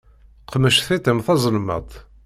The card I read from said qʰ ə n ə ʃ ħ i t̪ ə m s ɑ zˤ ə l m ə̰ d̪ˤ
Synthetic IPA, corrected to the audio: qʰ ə m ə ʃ θ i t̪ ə m θ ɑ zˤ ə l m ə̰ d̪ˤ